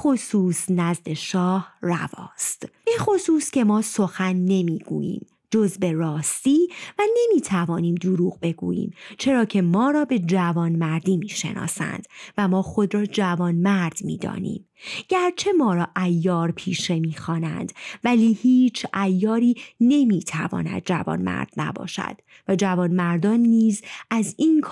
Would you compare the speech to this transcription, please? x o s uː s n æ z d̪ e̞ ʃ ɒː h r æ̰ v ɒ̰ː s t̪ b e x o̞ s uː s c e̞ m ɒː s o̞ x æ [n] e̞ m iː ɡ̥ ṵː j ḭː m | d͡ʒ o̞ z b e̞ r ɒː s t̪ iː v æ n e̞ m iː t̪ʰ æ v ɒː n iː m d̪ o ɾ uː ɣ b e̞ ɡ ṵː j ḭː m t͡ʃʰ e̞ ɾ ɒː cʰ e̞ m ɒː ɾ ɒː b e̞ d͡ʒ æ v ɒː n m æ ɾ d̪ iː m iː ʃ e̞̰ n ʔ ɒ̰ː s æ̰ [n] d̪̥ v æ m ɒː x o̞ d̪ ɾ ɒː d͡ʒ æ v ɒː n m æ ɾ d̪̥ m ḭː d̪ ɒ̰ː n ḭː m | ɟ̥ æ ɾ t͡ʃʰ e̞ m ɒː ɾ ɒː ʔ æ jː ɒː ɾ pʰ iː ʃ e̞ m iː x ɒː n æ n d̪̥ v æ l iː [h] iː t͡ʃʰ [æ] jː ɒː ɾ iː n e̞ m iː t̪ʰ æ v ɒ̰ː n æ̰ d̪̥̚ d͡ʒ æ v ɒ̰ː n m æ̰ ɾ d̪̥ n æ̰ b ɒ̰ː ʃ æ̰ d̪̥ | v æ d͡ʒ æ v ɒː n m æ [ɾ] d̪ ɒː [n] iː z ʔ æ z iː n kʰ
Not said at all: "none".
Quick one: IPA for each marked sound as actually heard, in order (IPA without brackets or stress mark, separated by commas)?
nː, n, h, æ, ɾ, nː